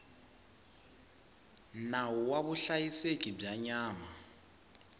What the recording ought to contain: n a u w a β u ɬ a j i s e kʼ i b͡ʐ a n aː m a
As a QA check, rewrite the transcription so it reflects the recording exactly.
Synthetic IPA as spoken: n a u w a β u ɬ a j i s e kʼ i b͡ʐ a ɲ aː m a